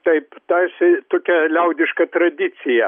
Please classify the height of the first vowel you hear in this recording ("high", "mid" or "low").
low